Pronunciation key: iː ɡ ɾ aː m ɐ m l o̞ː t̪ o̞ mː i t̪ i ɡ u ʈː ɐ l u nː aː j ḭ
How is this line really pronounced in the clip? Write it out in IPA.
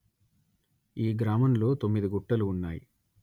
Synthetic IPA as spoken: iː ɡ ɾ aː m ɐ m l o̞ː t̪ o̞ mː i d̪ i ɡ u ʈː ɐ l uː nː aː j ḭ

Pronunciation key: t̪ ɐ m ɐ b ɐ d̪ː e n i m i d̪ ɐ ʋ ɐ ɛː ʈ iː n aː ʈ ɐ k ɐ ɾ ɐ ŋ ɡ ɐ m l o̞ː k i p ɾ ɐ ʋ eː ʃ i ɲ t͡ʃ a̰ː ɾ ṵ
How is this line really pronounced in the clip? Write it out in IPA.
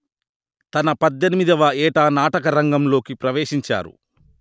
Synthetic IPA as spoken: t̪ ɐ n ɐ p ɐ d̪ː e n i m i d̪ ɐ ʋ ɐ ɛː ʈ aː n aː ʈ ɐ k ɐ ɾ ɐ ŋ ɡ ɐ m l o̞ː k i p ɾ ɐ ʋ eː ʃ i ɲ t͡ʃ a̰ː ɾ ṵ

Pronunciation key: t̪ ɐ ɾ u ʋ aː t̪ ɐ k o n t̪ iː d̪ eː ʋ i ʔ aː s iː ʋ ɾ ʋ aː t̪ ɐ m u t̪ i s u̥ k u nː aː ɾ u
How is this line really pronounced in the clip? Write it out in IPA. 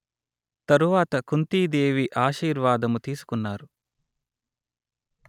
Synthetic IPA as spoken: t̪ ɐ ɾ u ʋ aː t̪ ɐ k u n t̪ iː d̪ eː ʋ i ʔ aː ʃ iː ɾ ʋ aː d̪ ɐ m u t̪ iː s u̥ k u nː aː ɾ u

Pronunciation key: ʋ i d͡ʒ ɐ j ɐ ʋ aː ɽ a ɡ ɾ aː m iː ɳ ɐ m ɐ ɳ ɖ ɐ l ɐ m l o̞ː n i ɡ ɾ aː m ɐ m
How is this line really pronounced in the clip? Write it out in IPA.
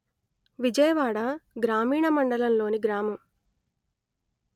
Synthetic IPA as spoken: ʋ i d͡ʒ ɐ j ɐ ʋ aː ɽ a ɡ ɾ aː m iː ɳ ɐ m ɐ ɳ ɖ ɐ l ɐ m l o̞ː n i ɡ ɾ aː m ɐ m

